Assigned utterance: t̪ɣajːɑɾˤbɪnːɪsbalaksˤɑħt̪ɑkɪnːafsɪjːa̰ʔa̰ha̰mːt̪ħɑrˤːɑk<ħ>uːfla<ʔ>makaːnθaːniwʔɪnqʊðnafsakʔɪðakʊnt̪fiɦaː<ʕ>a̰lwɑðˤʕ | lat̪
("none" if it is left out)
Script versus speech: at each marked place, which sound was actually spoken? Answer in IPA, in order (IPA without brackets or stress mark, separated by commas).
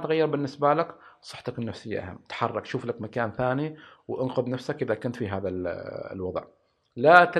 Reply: ʃ, k, ð